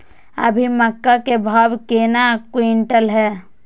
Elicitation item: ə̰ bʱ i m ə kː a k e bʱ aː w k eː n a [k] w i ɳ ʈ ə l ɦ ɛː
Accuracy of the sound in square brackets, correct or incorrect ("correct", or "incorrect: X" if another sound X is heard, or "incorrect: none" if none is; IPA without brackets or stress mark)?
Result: correct